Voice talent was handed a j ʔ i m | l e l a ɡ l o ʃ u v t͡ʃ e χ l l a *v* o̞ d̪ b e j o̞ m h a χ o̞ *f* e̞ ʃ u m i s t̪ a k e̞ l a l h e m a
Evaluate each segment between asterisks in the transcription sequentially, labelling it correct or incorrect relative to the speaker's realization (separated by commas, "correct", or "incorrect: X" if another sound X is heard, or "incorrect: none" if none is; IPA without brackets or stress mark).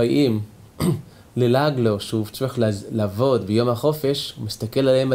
correct, correct